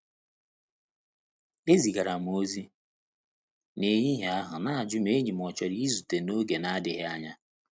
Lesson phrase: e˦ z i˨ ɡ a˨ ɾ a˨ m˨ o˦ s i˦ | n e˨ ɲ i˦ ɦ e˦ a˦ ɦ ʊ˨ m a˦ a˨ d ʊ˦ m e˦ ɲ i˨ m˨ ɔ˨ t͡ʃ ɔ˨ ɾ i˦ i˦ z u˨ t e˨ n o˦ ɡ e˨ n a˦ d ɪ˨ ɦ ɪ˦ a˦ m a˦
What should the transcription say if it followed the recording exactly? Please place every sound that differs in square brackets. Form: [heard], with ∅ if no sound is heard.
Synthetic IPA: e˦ z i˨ ɡ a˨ ɾ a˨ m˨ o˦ [z] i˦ | n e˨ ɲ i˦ ɦ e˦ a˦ ɦ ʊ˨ [n] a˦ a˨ [d͡ʒ] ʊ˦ m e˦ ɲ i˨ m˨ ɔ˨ t͡ʃ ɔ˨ ɾ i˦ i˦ z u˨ t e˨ n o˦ ɡ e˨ n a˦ d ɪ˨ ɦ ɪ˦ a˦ [ɲ] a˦